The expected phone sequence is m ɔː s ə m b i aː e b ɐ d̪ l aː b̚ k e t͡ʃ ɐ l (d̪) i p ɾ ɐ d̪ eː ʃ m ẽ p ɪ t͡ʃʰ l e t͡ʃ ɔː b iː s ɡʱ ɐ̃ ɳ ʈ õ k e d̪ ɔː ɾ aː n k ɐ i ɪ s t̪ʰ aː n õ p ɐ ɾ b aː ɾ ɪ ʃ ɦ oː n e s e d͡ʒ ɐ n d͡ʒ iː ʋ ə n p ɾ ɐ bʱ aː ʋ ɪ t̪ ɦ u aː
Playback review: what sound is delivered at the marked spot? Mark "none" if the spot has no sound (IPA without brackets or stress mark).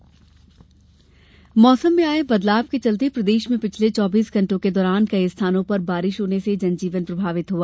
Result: t̪